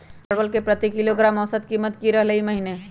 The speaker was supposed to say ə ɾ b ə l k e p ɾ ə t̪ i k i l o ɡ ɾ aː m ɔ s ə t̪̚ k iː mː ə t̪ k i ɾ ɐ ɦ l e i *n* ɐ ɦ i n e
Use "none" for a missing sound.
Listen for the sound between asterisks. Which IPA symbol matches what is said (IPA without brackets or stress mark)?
m